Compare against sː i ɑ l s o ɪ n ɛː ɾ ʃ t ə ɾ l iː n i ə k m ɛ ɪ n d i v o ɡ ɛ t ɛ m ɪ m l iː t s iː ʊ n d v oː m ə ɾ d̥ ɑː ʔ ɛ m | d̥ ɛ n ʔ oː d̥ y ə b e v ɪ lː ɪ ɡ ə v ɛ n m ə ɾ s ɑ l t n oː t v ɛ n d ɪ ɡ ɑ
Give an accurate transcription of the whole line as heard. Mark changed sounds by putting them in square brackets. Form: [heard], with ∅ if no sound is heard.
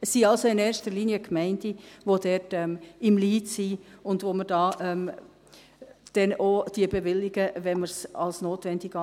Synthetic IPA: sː i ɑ l s o ɪ n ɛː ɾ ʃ t ə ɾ l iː n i ə k m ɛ ɪ n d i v o [d] ɛ t ɛ m ɪ m l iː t s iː ʊ n d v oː m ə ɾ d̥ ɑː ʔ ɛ m | d̥ ɛ n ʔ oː d̥ [i] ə b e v ɪ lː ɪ ɡ ə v ɛ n m ə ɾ s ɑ l [s] n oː t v ɛ n d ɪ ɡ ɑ